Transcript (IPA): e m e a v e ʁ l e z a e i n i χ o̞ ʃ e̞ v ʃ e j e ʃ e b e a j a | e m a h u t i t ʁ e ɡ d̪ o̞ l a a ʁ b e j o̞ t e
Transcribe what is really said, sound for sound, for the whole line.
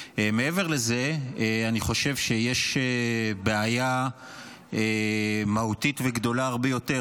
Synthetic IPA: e m e e v e ʁ l e z e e a n i χ o̞ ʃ e̞ v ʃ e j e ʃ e b e a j a | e m a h u t i t v e ɡ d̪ o̞ l a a ʁ b e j o̞ t e